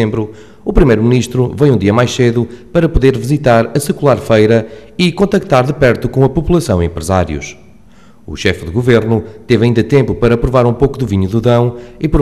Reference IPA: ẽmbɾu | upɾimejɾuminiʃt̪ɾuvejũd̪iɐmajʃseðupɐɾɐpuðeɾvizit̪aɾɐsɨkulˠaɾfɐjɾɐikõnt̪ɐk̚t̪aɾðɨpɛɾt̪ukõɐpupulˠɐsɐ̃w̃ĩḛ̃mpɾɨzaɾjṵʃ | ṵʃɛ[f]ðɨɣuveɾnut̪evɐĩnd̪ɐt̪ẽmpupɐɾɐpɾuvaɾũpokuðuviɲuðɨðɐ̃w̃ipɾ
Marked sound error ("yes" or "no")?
no